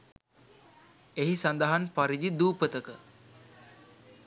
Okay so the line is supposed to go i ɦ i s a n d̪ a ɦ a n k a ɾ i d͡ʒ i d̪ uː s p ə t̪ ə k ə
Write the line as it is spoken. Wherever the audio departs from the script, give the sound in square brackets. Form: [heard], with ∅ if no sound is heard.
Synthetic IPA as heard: [e] ɦ i s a n d̪ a ɦ a n [p] a ɾ i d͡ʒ i d̪ uː [∅] p ə t̪ ə k ə